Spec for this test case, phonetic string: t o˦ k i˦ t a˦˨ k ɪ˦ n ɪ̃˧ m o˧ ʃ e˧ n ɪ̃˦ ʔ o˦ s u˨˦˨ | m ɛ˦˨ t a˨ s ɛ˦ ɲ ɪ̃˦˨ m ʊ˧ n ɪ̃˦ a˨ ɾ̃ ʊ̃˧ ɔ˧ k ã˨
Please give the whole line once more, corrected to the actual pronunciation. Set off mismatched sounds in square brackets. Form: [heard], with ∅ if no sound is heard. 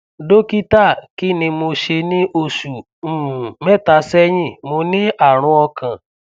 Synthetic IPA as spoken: [d] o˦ k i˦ t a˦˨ k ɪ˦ n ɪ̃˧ m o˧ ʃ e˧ n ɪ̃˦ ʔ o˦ s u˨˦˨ | m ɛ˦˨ t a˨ s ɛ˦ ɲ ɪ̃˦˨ m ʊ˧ n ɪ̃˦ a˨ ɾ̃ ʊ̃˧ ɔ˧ k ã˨